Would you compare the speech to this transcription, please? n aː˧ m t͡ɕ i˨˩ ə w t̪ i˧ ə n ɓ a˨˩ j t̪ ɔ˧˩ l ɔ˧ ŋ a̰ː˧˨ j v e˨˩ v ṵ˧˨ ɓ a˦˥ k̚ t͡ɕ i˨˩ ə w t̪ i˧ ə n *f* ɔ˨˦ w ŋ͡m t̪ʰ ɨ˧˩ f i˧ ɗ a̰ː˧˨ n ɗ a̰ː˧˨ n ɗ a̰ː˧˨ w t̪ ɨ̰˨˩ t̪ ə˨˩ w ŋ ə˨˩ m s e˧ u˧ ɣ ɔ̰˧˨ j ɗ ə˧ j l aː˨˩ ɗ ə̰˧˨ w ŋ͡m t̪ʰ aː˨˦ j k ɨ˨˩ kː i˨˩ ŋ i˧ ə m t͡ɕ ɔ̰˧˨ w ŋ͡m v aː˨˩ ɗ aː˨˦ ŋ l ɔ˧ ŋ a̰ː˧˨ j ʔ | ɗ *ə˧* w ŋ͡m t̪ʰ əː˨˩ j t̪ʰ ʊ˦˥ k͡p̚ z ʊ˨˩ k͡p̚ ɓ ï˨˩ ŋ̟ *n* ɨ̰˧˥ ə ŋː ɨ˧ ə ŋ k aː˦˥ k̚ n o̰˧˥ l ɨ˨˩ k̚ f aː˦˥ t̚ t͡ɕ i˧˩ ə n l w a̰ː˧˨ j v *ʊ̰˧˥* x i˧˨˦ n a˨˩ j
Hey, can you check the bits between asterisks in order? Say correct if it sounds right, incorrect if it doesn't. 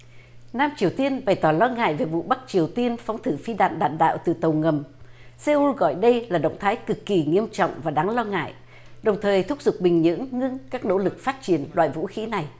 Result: correct, incorrect: ə˨˩, incorrect: ɲ, incorrect: ṵ˧˥

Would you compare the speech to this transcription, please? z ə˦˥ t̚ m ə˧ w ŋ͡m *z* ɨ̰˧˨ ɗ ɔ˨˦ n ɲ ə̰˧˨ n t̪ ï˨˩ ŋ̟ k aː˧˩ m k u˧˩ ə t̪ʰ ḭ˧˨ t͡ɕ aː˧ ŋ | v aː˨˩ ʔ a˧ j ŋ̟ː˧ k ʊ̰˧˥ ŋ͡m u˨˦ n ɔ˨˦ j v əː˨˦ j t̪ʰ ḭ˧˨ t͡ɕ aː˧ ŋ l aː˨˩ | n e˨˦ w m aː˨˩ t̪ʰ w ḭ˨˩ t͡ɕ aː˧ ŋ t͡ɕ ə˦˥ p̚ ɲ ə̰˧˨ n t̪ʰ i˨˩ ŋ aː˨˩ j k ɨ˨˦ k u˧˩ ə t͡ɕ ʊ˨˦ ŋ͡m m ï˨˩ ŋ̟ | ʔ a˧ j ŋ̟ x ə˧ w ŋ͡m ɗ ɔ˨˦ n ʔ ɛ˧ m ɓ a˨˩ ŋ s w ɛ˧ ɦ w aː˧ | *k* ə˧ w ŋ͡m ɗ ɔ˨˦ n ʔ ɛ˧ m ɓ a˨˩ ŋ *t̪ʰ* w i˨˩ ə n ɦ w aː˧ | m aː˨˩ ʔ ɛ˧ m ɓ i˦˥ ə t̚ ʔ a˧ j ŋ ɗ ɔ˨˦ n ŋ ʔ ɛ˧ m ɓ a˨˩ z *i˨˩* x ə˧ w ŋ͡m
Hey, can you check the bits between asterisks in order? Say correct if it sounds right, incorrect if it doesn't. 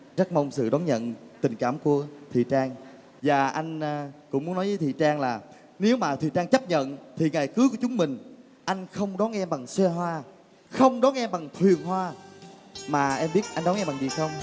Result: incorrect: s, incorrect: x, correct, correct

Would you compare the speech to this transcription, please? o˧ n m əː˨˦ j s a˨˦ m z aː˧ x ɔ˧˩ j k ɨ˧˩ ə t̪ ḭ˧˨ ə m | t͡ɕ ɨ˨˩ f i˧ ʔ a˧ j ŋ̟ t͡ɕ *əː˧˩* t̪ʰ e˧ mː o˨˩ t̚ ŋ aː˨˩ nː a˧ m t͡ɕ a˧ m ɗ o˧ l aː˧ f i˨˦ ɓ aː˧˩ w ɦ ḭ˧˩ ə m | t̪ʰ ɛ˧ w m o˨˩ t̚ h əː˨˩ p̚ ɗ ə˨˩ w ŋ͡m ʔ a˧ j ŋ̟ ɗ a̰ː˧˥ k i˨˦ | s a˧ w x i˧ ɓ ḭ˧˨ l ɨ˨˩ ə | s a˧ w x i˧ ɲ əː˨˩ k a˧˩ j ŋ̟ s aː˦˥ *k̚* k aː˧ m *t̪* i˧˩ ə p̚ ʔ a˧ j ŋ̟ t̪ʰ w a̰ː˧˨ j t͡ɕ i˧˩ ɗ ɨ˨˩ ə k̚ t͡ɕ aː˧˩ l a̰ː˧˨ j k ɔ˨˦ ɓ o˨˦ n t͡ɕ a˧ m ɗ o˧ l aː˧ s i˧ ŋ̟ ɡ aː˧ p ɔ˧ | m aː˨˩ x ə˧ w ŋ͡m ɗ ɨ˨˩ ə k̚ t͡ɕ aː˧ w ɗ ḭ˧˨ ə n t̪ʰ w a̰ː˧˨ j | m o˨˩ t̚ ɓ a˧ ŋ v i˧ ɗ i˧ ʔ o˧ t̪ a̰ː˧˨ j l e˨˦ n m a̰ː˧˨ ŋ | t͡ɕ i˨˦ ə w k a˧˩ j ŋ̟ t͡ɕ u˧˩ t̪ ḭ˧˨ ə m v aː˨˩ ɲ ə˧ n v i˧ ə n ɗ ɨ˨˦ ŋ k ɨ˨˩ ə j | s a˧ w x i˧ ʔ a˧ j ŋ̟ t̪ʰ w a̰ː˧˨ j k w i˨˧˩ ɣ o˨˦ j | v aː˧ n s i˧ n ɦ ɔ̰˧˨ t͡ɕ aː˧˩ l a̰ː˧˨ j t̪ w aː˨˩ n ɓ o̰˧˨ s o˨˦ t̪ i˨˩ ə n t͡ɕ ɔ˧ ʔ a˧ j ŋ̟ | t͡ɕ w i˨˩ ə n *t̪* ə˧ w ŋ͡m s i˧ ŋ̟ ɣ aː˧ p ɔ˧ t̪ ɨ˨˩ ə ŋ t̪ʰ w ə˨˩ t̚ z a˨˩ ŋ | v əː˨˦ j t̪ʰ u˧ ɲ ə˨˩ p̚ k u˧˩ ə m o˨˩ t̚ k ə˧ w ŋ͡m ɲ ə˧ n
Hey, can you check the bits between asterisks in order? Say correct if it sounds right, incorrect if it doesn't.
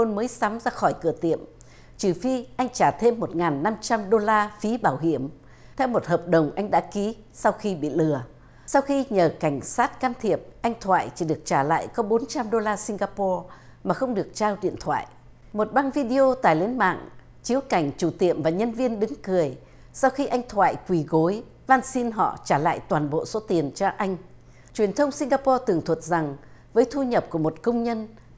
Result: incorrect: aː˧˩, incorrect: t̚, incorrect: t̪ʰ, incorrect: t̪ʰ

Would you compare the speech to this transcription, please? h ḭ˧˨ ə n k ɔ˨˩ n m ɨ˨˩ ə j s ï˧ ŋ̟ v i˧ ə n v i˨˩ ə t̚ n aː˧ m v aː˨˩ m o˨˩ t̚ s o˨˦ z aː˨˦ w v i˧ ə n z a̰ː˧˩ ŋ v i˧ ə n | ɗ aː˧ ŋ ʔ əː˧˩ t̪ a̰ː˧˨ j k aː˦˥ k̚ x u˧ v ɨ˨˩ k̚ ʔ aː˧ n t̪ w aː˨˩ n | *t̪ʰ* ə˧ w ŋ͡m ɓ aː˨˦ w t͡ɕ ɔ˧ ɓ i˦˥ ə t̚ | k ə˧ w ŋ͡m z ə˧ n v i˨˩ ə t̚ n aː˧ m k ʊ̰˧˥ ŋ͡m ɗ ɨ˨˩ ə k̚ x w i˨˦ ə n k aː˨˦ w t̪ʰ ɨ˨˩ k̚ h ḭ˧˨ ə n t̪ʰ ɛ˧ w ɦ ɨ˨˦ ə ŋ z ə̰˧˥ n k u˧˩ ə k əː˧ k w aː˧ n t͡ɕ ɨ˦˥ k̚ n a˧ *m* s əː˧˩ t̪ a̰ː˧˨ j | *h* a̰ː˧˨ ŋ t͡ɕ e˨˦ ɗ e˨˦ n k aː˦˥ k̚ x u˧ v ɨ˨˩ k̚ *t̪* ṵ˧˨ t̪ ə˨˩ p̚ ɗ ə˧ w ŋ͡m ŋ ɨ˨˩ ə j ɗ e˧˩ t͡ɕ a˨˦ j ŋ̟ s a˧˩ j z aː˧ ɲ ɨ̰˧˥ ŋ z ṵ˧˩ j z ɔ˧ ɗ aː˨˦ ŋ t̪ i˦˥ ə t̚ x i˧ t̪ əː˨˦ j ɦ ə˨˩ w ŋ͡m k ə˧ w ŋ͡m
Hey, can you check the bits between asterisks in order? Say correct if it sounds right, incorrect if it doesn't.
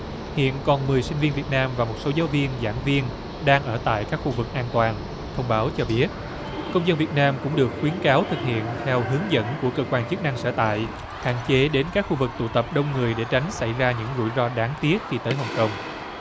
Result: correct, incorrect: ŋ, correct, correct

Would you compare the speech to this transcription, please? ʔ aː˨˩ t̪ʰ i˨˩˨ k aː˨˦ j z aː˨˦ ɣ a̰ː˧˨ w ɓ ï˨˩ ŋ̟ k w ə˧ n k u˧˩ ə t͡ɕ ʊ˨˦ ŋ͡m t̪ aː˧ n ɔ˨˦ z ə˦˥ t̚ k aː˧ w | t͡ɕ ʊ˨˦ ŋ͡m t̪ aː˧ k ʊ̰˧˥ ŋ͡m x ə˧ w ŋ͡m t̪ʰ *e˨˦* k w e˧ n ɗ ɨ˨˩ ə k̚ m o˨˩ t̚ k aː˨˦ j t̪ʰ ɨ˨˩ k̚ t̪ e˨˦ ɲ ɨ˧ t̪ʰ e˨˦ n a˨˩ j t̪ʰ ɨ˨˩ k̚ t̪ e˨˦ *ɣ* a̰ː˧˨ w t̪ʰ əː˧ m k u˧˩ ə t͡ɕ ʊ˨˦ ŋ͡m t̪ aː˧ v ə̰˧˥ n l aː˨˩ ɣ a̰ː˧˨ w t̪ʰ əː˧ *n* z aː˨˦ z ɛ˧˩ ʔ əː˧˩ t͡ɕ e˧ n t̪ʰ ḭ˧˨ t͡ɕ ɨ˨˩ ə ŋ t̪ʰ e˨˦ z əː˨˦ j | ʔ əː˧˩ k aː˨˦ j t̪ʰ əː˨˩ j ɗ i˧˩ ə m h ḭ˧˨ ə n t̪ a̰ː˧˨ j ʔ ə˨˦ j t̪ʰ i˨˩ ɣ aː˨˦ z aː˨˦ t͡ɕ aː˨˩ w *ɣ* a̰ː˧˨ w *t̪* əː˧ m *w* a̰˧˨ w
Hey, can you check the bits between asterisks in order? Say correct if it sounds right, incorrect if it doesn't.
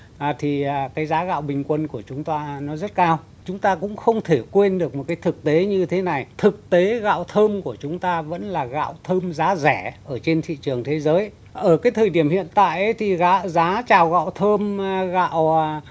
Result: incorrect: e˧˩, correct, incorrect: m, correct, incorrect: t̪ʰ, incorrect: ɣ

